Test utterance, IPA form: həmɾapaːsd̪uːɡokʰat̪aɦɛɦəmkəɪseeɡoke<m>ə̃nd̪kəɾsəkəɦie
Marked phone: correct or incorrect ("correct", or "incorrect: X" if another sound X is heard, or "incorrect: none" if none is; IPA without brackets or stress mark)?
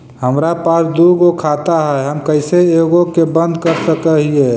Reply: incorrect: b